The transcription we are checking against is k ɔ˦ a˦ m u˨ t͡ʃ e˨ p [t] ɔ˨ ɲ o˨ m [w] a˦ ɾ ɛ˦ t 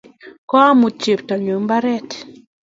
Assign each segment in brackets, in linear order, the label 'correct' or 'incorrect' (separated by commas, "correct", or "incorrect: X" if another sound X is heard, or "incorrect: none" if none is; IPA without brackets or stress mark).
correct, incorrect: b